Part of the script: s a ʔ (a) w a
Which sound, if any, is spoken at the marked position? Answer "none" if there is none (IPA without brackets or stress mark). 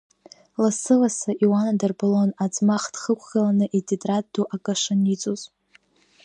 i